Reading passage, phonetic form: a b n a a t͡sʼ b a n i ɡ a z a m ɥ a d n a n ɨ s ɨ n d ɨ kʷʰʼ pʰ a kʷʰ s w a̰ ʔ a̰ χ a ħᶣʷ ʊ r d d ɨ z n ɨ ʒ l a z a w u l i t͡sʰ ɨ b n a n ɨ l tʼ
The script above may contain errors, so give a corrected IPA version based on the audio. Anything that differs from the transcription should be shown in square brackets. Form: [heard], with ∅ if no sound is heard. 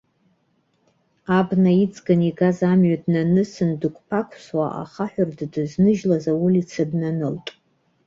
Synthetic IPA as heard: a b n a [i] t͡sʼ [ɡ] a n i ɡ a z a m ɥ a d n a n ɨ s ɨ n d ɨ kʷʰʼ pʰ a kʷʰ s w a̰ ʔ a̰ χ a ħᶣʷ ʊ r d d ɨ z n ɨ ʒ l a z a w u l i t͡sʰ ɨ b n a n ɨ l tʼ